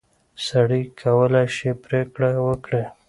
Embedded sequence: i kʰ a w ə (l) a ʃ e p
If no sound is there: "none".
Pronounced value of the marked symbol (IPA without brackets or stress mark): l